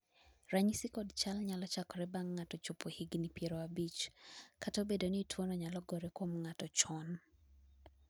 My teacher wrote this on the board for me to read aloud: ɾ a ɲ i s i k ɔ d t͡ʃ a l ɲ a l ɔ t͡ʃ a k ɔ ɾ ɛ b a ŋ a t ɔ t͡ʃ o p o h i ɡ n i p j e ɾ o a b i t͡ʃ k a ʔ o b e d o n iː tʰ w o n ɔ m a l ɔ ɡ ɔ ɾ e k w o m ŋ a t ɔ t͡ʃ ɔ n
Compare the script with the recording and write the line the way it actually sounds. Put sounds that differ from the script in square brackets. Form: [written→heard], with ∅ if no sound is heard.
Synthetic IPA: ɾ a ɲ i s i k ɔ d t͡ʃ a l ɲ a l ɔ t͡ʃ a k ɔ ɾ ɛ b a [ŋ→ŋː] a t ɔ t͡ʃ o p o h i ɡ n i p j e ɾ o a b i t͡ʃ k a [ʔ→t] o b e d o n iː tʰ w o n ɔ [m→ɲ] a l ɔ ɡ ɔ ɾ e k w o m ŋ a t ɔ t͡ʃ ɔ n